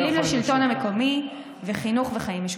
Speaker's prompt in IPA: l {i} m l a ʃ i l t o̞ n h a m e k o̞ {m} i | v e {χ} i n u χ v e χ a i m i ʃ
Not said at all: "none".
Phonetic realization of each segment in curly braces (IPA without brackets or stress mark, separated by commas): i, m, χ